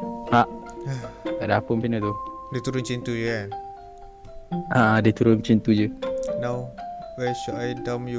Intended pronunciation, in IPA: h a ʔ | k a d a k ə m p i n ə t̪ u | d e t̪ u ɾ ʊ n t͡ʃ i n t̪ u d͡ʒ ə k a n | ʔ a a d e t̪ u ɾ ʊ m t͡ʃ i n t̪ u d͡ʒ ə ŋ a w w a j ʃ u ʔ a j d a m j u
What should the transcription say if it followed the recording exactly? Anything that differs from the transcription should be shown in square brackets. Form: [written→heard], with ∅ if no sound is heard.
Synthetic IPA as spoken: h a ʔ | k a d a [k→p] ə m p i n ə t̪ u | d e t̪ u ɾ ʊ n t͡ʃ i n t̪ u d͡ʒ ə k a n | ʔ a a d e t̪ u ɾ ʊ [m→n] t͡ʃ i n t̪ u d͡ʒ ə [ŋ→n] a w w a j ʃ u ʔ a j d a m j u